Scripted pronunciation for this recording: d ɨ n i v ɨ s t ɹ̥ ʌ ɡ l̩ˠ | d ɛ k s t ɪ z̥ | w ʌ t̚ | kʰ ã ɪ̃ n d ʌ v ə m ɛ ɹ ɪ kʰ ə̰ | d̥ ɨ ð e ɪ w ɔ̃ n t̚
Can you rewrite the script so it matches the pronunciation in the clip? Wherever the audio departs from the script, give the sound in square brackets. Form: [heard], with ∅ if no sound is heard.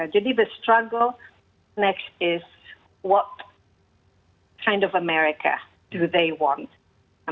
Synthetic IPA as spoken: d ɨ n i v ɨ s t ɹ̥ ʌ ɡ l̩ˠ | [n] ɛ k s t ɪ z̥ | w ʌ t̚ | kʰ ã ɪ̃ n d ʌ v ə m ɛ ɹ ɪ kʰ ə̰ | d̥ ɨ ð e ɪ w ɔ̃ n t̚

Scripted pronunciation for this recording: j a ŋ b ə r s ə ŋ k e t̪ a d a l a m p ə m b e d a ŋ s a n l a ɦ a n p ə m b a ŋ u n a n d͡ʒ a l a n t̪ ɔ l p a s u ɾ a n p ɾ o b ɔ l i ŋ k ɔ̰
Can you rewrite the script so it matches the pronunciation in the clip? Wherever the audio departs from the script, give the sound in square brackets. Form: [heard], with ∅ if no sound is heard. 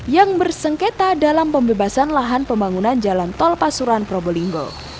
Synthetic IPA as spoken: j a ŋ b ə r s ə ŋ k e t̪ a d a l a m p ə m b e [b] a [∅] s a n l a ɦ a n p ə m b a ŋ u n a n d͡ʒ a l a n t̪ ɔ l p a s u ɾ a n p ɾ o b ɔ l i ŋ [ɡ] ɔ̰

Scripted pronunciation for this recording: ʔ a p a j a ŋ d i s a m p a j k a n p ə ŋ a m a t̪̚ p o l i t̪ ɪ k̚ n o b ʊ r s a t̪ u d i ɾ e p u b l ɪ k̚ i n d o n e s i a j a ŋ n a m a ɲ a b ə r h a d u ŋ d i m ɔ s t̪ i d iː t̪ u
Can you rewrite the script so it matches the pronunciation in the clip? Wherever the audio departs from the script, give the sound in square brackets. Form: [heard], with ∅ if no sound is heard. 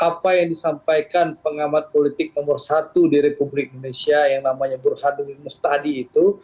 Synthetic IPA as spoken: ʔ a p a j a ŋ d i s a m p a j k a n p ə ŋ a m a t̪̚ p o l i t̪ ɪ k̚ n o [m] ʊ r s a t̪ u d i ɾ e p u b l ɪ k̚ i n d o n e s i a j a ŋ n a m a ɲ a b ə r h a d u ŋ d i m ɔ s t̪ [a] d iː t̪ u

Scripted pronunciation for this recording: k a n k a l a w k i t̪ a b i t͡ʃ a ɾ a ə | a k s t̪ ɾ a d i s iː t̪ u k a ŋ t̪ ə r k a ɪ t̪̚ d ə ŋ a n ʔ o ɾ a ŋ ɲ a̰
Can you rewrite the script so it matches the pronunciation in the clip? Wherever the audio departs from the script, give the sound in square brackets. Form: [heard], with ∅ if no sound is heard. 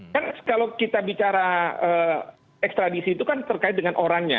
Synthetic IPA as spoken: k a n k a l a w k i t̪ a b i t͡ʃ a ɾ a ə | [ɛ] k s t̪ ɾ a d i s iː t̪ u k a [n] t̪ ə r k a ɪ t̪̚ d ə ŋ a n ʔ o ɾ a ŋ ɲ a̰

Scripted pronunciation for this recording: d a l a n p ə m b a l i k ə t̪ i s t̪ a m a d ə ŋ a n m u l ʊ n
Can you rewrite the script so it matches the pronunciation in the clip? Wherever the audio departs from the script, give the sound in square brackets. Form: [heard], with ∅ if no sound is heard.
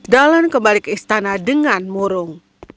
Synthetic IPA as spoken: d a l a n [k] ə m b a l i k ə [∅] i s t̪ a [n] a d ə ŋ a n m u [ɾ] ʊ [ŋ]

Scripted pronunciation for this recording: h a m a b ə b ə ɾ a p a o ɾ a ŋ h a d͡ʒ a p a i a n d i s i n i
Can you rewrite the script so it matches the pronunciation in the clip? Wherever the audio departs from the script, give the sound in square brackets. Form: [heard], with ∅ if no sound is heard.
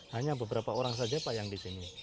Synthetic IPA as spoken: h a [ɲ] a b ə b ə ɾ a p a o ɾ a ŋ [s] a d͡ʒ a p a [j] a [ŋ] d i s i n i

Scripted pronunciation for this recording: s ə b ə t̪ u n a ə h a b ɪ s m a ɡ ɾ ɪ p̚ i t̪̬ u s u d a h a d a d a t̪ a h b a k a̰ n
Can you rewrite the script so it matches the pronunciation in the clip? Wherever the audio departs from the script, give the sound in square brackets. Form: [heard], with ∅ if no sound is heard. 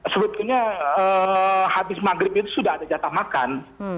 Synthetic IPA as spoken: s ə b ə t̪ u [ɲ] a ə h a b ɪ s m a ɡ ɾ ɪ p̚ i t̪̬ u s u d a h a d a [d͡ʒ] a t̪ a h [m] a k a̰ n

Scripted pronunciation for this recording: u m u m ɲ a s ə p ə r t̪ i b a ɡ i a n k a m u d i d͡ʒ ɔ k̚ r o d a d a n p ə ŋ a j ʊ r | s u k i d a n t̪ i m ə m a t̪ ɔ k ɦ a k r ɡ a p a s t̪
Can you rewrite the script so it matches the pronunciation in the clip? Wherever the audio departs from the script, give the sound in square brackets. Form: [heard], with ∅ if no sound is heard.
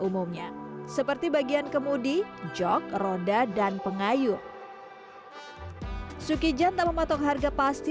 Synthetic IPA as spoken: u m u m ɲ a s ə p ə r t̪ i b a ɡ i a n k [ə] m u d i d͡ʒ ɔ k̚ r o d a d a n p ə ŋ a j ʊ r | s u k i [d͡ʒ] a n t̪ [a] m ə m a t̪ ɔ k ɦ a [∅] r ɡ a p a s t̪

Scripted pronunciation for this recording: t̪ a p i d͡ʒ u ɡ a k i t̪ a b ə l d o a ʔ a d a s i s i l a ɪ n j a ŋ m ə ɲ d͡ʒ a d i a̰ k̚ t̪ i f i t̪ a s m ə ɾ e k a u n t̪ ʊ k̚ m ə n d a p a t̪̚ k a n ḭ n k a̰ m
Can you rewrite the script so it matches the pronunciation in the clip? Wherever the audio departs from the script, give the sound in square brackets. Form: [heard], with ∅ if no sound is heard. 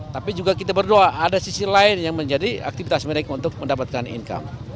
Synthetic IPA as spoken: t̪ a p i d͡ʒ u ɡ a k i t̪ a b ə [r] d o a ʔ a d a s i s i l a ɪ n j a ŋ m ə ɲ d͡ʒ a d i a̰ k̚ t̪ i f i t̪ a s m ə ɾ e k a u n t̪ ʊ k̚ m ə n d a p a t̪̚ k a n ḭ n k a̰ m

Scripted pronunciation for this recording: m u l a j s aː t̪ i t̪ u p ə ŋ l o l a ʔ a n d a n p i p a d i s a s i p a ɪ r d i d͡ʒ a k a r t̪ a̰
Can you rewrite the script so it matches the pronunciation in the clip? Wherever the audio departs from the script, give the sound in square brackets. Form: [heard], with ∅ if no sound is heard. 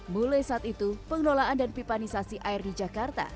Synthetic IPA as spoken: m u l a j s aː t̪ i t̪ u p ə ŋ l o l a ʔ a n d a n p i p a [n] i s a s i [ʔ] a ɪ r d i d͡ʒ a k a r t̪ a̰

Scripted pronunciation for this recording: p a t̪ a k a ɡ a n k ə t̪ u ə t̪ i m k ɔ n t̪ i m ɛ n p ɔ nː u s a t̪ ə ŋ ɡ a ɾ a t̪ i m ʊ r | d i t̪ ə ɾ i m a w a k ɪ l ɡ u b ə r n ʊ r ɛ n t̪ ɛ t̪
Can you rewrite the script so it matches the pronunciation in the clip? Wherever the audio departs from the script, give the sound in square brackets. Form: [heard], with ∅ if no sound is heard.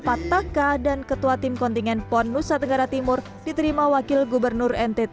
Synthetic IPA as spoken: p a t̪ a k a [d] a n k ə t̪ u [a] t̪ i m k ɔ n t̪ i [ŋ] ɛ n p ɔ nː u s a t̪ ə ŋ ɡ a ɾ a t̪ i m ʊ r | d i t̪ ə ɾ i m a w a k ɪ l ɡ u b ə r n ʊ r ɛ n t̪ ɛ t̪

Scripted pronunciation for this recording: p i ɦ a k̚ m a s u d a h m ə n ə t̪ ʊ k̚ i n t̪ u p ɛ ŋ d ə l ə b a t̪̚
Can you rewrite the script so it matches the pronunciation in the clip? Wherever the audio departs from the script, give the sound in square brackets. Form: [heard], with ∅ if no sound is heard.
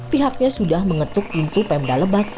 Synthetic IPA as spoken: p i ɦ a k̚ [ɲ] a s u d a h m ə [ŋ] ə t̪ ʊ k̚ i n t̪ u p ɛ [m] d [a] l ə b a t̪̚

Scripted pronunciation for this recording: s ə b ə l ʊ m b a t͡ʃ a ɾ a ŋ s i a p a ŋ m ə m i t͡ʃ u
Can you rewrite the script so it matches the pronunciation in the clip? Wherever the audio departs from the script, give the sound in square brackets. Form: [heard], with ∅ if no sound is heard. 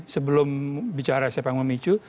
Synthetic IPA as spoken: s ə b ə l ʊ m b [i] t͡ʃ a ɾ a [∅] s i a p a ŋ m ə m i t͡ʃ u

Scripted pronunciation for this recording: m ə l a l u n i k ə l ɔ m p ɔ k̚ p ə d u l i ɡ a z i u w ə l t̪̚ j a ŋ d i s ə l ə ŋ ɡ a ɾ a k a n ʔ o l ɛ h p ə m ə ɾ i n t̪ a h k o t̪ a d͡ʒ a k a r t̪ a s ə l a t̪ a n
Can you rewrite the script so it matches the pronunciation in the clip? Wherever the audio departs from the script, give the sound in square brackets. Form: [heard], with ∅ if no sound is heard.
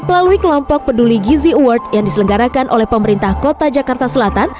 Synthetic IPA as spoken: m ə l a l u [∅] i k ə l ɔ m p ɔ k̚ p ə d u l i ɡ [i] z i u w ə [r] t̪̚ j a ŋ d i s ə l ə ŋ ɡ a ɾ a k a n ʔ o l ɛ h p ə m ə ɾ i n t̪ a h k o t̪ a d͡ʒ a k a r t̪ a s ə l a t̪ a n

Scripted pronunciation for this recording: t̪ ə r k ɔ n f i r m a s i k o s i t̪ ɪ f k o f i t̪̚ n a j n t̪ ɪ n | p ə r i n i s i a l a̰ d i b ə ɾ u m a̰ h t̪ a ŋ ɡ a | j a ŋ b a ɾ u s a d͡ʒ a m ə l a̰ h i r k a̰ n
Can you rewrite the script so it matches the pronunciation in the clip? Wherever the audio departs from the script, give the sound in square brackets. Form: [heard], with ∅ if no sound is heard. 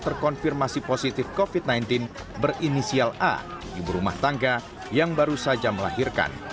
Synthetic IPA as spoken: t̪ ə r k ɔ n f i r m a s i [p] o s i t̪ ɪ f k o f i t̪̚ n a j n t̪ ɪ n | [b] ə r i n i s i a l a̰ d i b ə ɾ u m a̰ h t̪ a ŋ ɡ a | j a ŋ b a ɾ u s a d͡ʒ a m ə l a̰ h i r k a̰ n

